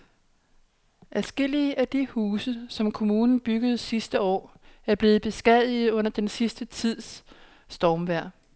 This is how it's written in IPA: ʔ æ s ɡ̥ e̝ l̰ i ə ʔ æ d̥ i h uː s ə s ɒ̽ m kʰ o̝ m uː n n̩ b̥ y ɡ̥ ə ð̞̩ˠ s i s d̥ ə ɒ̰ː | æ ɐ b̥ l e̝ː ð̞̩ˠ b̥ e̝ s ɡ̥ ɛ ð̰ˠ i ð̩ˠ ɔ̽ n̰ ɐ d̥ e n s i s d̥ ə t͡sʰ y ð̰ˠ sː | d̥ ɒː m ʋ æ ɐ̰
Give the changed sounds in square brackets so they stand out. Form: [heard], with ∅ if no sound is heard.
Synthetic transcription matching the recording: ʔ æ s ɡ̥ e̝ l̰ i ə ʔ æ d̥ i h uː s ə s ɒ̽ m kʰ o̝ m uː n n̩ b̥ y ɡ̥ ə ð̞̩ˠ s i s d̥ ə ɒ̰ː | æ ɐ b̥ l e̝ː ð̞̩ˠ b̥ e̝ s ɡ̥ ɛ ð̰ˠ i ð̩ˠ ɔ̽ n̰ ɐ d̥ e n s i s d̥ ə t͡sʰ [i] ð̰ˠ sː | d̥ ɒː m ʋ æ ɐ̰